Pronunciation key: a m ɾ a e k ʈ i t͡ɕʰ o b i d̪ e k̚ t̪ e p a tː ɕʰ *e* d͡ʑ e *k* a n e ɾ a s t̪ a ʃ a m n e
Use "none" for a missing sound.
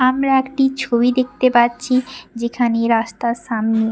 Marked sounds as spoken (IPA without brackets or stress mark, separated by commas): i, kʰ